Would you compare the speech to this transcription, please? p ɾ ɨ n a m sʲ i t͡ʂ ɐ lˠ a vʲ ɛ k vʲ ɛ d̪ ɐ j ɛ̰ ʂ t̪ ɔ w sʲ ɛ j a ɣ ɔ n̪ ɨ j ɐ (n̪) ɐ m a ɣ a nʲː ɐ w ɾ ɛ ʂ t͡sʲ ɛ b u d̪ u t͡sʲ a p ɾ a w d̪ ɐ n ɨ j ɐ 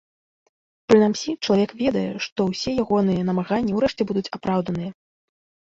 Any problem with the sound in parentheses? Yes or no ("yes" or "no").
no